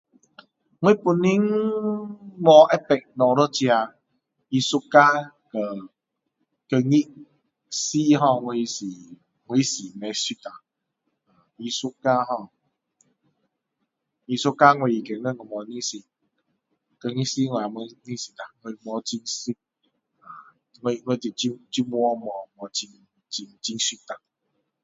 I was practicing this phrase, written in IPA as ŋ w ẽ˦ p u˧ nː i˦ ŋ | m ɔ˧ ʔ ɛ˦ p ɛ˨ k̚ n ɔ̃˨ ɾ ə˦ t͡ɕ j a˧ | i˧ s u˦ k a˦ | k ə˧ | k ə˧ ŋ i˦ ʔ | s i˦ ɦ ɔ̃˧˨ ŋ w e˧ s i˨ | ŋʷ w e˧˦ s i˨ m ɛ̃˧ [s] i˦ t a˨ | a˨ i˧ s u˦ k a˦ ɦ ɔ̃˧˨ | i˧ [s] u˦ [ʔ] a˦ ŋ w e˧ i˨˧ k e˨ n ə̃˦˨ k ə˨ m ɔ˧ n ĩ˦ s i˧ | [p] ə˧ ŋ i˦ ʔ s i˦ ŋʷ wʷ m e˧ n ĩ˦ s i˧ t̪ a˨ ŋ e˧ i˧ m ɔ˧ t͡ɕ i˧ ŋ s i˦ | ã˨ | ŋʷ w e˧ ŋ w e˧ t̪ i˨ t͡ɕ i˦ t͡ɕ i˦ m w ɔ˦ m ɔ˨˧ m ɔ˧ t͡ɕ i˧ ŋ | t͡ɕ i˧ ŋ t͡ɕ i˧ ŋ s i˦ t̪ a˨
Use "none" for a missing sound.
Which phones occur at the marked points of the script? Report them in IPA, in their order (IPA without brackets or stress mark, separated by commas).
s, s, k, k